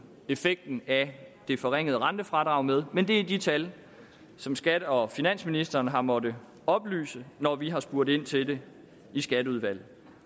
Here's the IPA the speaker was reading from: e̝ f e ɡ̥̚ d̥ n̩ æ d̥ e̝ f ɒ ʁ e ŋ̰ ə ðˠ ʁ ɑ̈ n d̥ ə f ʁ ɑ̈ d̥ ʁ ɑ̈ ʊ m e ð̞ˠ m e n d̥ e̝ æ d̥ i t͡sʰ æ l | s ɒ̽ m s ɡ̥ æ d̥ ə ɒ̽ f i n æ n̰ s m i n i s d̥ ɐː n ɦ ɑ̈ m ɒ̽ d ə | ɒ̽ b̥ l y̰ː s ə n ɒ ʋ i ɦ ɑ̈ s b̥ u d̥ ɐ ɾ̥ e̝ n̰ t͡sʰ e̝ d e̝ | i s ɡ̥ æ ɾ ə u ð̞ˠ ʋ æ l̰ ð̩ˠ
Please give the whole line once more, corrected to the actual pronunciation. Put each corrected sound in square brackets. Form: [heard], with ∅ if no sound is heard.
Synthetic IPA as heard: e̝ f e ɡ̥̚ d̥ n̩ æ d̥ e̝ f ɒ ʁ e ŋ̰ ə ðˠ ʁ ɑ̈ n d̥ ə f ʁ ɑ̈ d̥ ʁ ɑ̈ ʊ m e ð̞ˠ m e n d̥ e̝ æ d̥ i t͡sʰ æ l | s ɒ̽ m s ɡ̥ æ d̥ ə ɒ̽ f i n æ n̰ s m i n i s d̥ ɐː n ɦ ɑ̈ m ɒ̽ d ə | ɒ̽ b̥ l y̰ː s ə n ɒ ʋ i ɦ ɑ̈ s b̥ u [∅] ɐ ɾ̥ e̝ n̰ t͡sʰ e̝ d e̝ | i s ɡ̥ æ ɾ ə u ð̞ˠ ʋ æ l̰ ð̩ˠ